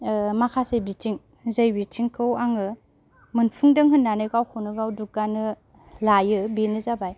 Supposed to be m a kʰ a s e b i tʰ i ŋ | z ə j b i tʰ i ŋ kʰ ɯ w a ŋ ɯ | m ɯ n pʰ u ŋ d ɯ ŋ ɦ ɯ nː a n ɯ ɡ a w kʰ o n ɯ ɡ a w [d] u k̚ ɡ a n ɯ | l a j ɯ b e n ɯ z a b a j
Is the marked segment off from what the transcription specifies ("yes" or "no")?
no